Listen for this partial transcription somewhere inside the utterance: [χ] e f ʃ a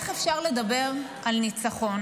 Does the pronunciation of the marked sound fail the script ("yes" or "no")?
no